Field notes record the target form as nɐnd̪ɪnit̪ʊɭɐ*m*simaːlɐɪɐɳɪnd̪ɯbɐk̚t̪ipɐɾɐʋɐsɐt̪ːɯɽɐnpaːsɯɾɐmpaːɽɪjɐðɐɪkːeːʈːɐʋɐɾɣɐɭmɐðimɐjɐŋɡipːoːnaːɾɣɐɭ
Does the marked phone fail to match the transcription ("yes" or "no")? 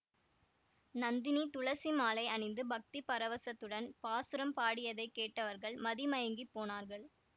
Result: yes